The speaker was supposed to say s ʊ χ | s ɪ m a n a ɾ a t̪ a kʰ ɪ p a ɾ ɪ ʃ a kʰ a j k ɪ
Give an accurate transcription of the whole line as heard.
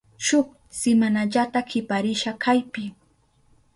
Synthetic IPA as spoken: ʃ ʊ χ | s ɪ m a n a ʎ a t̪ a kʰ ɪ p a ɾ ɪ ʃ a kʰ a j p ɪ

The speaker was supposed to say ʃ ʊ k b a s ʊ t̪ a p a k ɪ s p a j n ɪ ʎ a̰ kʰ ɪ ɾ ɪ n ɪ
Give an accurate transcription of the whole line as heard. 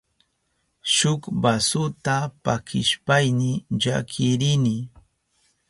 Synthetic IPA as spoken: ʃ ʊ k b a s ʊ t̪ a p a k ɪ ʃ p a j n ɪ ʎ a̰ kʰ ɪ ɾ ɪ n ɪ

